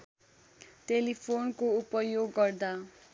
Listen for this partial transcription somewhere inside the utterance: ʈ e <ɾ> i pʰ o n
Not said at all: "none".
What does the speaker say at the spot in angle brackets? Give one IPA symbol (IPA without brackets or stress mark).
l